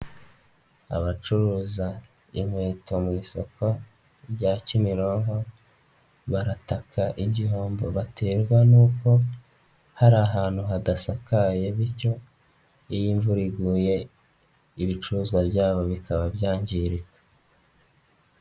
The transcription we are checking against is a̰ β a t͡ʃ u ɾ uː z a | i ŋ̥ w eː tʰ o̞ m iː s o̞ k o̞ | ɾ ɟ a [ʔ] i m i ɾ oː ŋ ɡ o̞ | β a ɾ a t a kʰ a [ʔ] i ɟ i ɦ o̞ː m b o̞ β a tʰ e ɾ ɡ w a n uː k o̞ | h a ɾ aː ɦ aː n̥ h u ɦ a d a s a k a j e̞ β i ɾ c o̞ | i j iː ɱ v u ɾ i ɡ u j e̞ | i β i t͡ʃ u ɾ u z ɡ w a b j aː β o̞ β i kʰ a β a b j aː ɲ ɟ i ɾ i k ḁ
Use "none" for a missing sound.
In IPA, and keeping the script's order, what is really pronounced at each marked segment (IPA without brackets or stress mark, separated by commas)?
c, ʔ